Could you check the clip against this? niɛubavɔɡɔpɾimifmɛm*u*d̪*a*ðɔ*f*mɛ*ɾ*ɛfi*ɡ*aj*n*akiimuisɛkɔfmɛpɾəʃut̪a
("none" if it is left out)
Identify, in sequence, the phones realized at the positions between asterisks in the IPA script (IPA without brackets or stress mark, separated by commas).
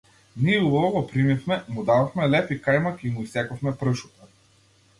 u, a, f, l, k, m